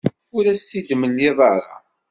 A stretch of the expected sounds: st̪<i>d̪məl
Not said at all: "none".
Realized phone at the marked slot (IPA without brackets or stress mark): i